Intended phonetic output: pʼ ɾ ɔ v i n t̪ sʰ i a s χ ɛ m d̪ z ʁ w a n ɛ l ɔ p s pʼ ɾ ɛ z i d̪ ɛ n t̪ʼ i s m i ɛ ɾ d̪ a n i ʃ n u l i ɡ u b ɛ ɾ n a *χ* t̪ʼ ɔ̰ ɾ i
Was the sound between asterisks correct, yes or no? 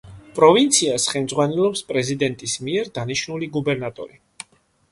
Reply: no